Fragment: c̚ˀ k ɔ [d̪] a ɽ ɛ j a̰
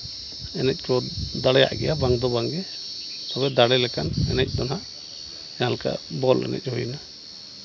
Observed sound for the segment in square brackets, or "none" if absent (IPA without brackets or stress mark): d̪